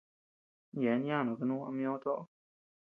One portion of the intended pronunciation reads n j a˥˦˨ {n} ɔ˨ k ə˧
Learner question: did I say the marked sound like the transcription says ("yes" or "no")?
yes